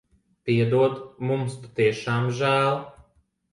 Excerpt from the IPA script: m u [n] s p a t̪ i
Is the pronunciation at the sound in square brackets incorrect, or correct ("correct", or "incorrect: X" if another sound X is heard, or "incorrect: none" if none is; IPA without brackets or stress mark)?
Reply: incorrect: m